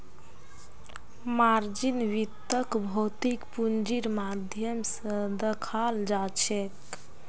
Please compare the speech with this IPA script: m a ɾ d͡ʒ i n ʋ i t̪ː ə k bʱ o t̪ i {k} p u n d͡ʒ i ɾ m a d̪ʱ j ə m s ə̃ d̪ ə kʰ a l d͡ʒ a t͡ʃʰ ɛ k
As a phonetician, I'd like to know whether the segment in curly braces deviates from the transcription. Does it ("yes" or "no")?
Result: no